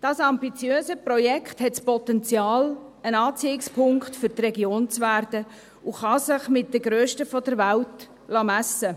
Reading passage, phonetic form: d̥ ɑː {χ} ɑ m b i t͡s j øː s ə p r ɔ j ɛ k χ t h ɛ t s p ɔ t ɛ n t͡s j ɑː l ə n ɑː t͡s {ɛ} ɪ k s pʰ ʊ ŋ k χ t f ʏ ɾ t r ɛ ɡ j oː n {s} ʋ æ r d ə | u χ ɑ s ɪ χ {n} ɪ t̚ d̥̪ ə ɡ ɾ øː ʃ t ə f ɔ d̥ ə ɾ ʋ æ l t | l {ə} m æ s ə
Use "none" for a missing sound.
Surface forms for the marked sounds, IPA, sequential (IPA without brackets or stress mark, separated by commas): s, i, t͡s, m, ɑ